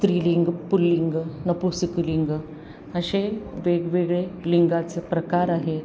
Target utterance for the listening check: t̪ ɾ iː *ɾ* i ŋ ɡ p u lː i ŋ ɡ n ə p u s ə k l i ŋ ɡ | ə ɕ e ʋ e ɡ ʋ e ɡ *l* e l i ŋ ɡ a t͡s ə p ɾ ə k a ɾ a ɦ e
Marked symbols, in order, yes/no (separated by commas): no, no